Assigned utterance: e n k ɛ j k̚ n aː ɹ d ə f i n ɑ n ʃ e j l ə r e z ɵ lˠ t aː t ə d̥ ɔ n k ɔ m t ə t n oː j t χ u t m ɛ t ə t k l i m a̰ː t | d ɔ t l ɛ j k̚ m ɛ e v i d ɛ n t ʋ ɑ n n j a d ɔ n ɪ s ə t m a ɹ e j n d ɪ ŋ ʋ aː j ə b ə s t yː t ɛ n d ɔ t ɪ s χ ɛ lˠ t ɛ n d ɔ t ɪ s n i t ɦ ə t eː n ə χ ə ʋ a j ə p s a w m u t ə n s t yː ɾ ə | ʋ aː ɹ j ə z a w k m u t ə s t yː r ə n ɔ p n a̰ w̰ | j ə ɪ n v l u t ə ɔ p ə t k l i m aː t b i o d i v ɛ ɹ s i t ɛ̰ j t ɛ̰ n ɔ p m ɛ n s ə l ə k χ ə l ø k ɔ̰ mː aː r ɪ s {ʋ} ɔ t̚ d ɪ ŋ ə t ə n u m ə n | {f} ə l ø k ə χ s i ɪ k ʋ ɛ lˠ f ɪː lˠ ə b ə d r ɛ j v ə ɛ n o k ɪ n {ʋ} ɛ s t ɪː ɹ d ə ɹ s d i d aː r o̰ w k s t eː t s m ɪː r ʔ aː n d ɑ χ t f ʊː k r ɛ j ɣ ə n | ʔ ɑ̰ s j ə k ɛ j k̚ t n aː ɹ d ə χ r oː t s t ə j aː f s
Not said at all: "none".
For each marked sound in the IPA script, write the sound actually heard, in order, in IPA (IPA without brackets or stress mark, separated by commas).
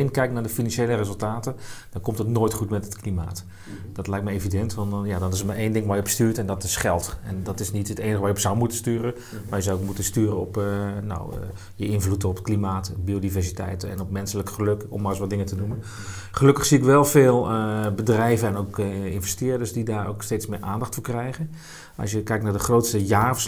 ʋ, χ, v